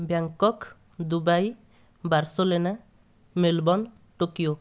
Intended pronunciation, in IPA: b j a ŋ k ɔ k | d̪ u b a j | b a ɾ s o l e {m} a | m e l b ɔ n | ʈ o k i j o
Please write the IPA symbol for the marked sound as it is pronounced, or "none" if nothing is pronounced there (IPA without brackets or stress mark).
n